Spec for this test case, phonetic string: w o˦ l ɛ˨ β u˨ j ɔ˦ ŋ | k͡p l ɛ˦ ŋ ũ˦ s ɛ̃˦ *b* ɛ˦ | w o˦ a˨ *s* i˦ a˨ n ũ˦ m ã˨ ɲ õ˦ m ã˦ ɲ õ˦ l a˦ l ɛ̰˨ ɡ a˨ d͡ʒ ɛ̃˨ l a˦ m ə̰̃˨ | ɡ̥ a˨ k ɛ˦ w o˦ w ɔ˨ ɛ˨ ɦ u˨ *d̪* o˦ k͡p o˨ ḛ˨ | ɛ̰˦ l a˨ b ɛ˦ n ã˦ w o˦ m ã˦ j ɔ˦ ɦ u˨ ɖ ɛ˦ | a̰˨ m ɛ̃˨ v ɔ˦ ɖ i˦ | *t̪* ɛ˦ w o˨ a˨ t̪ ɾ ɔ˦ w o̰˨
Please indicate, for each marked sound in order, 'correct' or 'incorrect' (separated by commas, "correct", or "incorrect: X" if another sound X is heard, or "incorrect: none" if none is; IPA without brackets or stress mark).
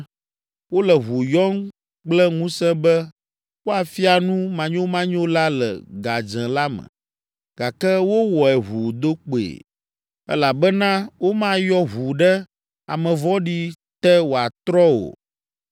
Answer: correct, incorrect: f, correct, correct